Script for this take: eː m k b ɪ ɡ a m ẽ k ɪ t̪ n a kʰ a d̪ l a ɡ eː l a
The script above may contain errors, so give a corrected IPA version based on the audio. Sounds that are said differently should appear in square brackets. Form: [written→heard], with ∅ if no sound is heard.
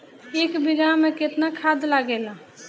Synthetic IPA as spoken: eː [m→∅] k b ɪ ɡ a m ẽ k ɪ t̪ n a kʰ a d̪ l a ɡ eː l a

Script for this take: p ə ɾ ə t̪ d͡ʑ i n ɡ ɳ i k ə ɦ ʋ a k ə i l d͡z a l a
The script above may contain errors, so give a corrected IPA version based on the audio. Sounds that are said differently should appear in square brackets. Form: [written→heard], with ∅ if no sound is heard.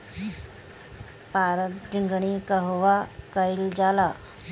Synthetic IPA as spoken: p [ə→a] ɾ ə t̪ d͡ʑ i [n→ŋ] ɡ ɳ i k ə ɦ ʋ a k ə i l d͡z a l a

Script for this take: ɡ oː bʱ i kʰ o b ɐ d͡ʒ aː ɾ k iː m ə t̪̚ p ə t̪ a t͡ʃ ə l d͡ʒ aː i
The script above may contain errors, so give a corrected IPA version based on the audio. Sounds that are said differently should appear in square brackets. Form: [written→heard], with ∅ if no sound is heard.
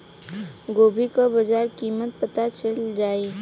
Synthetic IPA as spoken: ɡ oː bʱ i [kʰ→k] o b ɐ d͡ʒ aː ɾ k iː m ə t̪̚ p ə t̪ a t͡ʃ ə l d͡ʒ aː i

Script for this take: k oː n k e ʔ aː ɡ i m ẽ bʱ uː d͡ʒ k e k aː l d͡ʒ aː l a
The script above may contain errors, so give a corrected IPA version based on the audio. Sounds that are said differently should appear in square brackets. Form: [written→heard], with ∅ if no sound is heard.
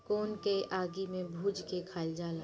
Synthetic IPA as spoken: k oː n k e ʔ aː ɡ i m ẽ bʱ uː d͡ʒ k e [k→kʰ] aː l d͡ʒ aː l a

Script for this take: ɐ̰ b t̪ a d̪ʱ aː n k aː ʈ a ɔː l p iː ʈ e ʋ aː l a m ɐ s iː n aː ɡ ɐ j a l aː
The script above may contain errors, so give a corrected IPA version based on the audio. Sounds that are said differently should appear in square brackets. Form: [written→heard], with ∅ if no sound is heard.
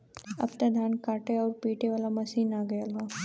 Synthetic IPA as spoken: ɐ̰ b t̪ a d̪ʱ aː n k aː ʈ [a→e] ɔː [l→ɾ] p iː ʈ e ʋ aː l a m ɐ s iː n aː ɡ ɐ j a l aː

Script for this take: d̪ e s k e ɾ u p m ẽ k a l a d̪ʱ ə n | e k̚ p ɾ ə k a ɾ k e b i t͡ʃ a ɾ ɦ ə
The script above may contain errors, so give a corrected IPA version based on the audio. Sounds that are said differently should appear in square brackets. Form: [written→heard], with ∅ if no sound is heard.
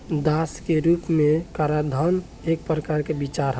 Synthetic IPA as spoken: d̪ [e→a] s k e ɾ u p m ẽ k a [l→ɾ] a d̪ʱ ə n | e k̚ p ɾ ə k a ɾ k e b i t͡ʃ a ɾ ɦ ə

